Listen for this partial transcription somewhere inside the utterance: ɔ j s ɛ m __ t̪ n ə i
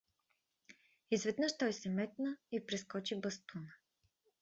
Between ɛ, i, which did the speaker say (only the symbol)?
ɛ